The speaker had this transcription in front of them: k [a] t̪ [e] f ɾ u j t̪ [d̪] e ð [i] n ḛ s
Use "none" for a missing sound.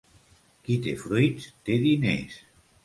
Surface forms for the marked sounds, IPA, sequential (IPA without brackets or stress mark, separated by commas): i, e, t̪, i